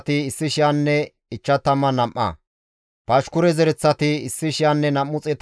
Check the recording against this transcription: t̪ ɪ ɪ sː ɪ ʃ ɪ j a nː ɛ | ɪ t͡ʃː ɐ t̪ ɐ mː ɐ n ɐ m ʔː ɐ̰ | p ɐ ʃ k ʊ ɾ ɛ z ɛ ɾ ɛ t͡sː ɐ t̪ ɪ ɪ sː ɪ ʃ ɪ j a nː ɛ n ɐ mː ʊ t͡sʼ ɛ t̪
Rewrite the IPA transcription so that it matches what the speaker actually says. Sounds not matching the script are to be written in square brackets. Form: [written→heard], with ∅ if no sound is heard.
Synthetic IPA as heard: t̪ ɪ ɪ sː ɪ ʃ ɪ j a nː ɛ | ɪ t͡ʃː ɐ t̪ ɐ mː ɐ n ɐ m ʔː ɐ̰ | p ɐ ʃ k ʊ ɾ ɛ z ɛ ɾ ɛ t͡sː ɐ t̪ ɪ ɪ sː ɪ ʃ ɪ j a nː ɛ n ɐ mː ʊ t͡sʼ ɛ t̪